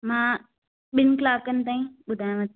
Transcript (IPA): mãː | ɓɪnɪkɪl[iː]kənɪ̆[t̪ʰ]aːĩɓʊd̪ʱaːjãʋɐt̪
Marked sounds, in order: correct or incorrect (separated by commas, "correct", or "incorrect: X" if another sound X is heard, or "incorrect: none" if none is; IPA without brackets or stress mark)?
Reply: incorrect: aː, incorrect: t̪